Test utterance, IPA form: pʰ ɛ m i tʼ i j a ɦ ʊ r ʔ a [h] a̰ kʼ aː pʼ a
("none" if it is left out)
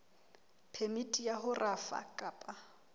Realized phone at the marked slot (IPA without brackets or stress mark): f